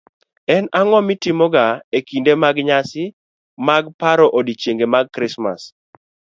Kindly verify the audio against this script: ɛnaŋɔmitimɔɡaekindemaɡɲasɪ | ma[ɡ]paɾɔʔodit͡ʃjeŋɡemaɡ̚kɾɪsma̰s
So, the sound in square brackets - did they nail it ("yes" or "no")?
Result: yes